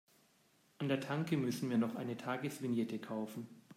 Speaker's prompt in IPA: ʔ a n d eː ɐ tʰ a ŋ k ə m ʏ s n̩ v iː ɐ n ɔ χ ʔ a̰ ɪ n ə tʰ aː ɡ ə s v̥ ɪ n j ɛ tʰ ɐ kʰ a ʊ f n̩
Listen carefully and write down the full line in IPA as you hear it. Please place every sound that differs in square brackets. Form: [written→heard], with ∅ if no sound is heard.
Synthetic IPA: ʔ a n d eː ɐ tʰ a ŋ k ə m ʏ s n̩ v iː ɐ n ɔ χ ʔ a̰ ɪ n ə tʰ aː ɡ ə s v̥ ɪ n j ɛ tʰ [ɐ→ə] kʰ a ʊ f n̩

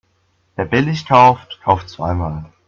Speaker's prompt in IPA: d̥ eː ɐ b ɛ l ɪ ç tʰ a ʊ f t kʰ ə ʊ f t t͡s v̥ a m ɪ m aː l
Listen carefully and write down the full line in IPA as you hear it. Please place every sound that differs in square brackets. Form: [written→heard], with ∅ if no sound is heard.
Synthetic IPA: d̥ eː ɐ b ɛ l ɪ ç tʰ a ʊ f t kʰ [ə→a] ʊ f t t͡s v̥ a [m→∅] ɪ m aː l

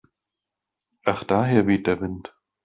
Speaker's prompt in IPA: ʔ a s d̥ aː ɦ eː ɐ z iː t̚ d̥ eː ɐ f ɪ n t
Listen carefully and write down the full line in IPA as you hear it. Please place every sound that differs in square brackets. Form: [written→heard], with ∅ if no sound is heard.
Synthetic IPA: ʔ a [s→χ] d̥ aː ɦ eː ɐ [z→v] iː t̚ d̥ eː ɐ [f→v] ɪ n t

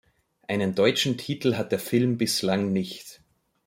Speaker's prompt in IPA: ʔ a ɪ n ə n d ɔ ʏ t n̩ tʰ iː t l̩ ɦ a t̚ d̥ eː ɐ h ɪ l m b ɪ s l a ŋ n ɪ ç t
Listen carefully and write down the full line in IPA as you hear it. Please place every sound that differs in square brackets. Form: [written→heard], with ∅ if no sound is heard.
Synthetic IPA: ʔ a ɪ n ə n d ɔ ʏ [t→t͡ʃ] n̩ tʰ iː t l̩ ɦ a t̚ d̥ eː ɐ [h→f] ɪ l m b ɪ s l a ŋ n ɪ ç t

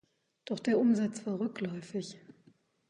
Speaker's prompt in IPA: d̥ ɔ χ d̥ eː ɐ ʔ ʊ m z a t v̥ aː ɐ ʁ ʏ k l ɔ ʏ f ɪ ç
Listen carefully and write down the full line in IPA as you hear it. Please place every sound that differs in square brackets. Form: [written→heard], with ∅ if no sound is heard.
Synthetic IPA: d̥ ɔ χ d̥ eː ɐ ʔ ʊ m z a [t→t͡s] v̥ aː ɐ ʁ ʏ k l ɔ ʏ f ɪ ç

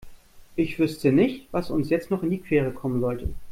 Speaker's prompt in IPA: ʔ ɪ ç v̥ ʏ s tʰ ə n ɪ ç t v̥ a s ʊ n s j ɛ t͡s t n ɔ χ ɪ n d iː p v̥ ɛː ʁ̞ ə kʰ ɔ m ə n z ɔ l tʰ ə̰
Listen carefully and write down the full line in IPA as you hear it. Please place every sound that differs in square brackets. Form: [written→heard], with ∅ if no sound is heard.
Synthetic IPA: ʔ ɪ ç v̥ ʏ s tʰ ə n ɪ ç t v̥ a s ʊ n s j ɛ t͡s t n ɔ χ ɪ n d iː [p→k] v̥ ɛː ʁ̞ ə kʰ ɔ m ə n z ɔ l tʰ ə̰

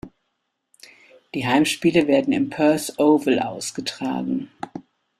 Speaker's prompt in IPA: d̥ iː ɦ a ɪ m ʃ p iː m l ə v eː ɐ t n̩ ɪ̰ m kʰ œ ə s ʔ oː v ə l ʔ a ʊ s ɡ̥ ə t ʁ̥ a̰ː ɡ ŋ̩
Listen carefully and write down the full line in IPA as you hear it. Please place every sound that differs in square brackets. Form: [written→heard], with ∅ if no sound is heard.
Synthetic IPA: d̥ iː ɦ a ɪ m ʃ p iː [m→∅] l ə v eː ɐ [t→d] n̩ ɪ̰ m [kʰ→pʰ] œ [ə→ɐ] s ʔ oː v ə l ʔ a ʊ s ɡ̥ ə t ʁ̥ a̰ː ɡ ŋ̩

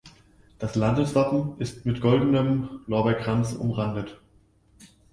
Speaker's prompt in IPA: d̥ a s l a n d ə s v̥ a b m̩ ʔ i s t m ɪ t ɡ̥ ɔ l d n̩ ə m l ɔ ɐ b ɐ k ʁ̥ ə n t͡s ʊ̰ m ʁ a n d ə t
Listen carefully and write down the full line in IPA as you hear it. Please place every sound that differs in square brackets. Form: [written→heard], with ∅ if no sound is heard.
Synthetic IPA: d̥ a s l a n d ə s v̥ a [b→p] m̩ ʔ [i→ɪ] s t m ɪ t ɡ̥ ɔ l d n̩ ə m l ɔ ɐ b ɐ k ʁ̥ [ə→a] n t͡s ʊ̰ m ʁ a n d ə t

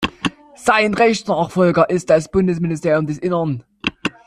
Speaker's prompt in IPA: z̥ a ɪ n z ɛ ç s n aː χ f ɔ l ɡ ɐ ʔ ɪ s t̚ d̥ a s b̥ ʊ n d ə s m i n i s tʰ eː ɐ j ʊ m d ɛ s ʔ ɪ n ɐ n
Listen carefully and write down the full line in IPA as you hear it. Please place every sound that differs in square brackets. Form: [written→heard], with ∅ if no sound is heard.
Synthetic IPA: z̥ a ɪ n [z→ʁ] ɛ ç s n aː χ f ɔ l ɡ ɐ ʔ ɪ s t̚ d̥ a s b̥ ʊ n d ə s m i n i s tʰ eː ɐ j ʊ m d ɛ s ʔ ɪ n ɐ n

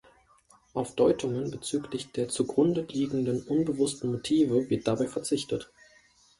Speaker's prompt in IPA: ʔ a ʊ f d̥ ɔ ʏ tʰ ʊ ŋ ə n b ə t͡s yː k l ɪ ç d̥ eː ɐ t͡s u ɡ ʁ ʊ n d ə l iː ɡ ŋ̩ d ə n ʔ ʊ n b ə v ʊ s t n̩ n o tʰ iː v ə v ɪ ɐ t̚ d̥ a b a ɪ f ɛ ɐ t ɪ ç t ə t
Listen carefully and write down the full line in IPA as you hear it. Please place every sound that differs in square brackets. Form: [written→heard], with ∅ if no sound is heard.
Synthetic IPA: ʔ a ʊ f d̥ ɔ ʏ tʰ ʊ ŋ ə n b ə t͡s yː k l ɪ ç d̥ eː ɐ t͡s u ɡ ʁ ʊ n d ə l iː ɡ ŋ̩ d ə n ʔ ʊ n b ə v ʊ s t n̩ [n→m] o tʰ iː v ə v ɪ ɐ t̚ d̥ a b a ɪ f ɛ ɐ [t→t͡s] ɪ ç t ə t

